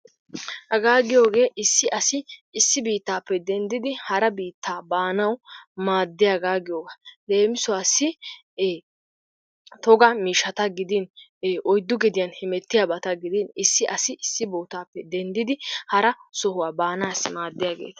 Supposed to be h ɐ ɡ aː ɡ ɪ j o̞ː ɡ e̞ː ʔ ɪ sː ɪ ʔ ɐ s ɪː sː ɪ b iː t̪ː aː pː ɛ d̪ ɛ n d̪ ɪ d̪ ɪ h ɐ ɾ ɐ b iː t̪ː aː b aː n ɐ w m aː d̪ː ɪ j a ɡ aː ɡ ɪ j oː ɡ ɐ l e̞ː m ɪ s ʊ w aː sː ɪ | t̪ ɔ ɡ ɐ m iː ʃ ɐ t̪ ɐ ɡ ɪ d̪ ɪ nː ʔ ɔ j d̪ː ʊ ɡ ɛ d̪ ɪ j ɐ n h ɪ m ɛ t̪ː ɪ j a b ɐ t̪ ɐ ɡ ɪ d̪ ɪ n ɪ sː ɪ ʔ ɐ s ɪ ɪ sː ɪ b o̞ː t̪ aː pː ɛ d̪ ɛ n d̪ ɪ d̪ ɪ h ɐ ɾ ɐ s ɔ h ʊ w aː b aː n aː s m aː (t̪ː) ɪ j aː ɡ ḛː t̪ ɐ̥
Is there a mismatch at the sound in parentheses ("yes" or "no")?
yes